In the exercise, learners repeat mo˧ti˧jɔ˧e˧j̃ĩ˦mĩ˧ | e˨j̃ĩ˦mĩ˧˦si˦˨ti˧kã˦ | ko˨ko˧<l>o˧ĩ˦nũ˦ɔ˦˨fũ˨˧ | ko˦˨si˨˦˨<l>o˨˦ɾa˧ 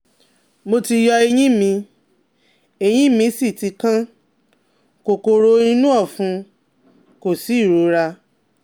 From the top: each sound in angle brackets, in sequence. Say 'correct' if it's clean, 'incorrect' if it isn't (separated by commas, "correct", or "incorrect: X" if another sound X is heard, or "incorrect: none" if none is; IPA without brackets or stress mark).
incorrect: ɾ, incorrect: ɾ